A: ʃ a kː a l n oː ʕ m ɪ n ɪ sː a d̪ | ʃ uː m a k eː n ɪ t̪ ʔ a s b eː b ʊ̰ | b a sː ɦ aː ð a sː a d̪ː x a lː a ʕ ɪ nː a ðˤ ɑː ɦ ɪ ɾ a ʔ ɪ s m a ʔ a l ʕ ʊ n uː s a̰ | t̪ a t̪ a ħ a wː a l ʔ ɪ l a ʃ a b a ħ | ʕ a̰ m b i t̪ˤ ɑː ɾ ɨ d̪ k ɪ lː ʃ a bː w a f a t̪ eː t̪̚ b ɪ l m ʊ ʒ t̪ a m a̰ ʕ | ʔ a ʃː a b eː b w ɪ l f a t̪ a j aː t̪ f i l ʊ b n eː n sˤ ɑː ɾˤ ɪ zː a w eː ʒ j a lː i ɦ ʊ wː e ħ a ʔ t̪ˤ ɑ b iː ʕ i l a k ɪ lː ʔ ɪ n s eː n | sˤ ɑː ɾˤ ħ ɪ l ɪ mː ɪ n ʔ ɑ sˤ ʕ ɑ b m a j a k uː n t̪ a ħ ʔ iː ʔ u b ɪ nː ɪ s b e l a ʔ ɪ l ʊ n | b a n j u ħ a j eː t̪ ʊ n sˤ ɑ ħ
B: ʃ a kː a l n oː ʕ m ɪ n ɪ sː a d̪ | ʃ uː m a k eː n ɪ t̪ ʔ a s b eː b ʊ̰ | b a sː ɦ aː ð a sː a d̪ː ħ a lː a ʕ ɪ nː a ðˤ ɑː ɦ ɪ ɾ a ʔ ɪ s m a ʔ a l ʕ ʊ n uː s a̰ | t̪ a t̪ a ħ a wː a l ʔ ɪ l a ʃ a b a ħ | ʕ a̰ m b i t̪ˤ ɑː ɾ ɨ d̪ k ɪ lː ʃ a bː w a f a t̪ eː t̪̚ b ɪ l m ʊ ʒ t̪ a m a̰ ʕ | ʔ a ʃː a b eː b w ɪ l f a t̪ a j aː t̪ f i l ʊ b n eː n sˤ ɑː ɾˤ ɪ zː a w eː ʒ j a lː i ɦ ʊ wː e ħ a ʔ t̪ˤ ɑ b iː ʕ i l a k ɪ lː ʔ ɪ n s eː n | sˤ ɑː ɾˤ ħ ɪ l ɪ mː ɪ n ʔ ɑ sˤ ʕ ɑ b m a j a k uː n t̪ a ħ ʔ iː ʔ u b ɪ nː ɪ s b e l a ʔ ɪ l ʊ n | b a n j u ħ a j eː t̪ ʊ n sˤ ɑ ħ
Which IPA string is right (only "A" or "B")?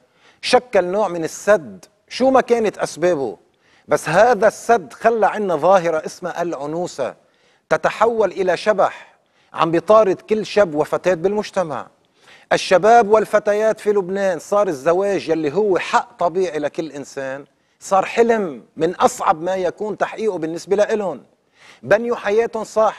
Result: A